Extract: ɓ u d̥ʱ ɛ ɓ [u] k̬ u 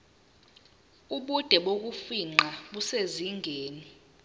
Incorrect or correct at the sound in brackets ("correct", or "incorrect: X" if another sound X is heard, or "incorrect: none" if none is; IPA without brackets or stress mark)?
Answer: incorrect: o